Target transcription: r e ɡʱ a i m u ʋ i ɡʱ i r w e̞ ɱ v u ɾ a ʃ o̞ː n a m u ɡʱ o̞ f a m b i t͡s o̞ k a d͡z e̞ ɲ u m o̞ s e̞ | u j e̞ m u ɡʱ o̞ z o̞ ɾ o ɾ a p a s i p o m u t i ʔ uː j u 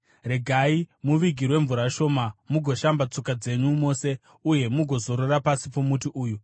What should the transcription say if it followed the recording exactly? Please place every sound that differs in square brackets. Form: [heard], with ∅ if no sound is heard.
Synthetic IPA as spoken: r e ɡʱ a i m u ʋ i ɡʱ i r w e̞ ɱ v u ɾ a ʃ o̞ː [m] a m u ɡʱ o̞ [ʃ] a m b [a] t͡s o̞ k a d͡z e̞ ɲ u m o̞ s e̞ | u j e̞ m u ɡʱ o̞ z o̞ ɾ o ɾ a p a s i p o m u t i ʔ uː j u